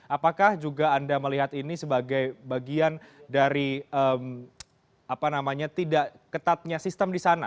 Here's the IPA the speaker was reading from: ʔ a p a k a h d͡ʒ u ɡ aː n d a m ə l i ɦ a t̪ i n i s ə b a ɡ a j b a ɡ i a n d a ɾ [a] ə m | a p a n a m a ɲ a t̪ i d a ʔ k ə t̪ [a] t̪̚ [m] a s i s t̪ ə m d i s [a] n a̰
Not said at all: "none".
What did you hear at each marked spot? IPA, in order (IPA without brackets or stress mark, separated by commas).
i, a, ɲ, a